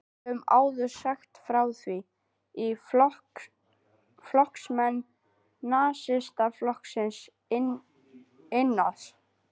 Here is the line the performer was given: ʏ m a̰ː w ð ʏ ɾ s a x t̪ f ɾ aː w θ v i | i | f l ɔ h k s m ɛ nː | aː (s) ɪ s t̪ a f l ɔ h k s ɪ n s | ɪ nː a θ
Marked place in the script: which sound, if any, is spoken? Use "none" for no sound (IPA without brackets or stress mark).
s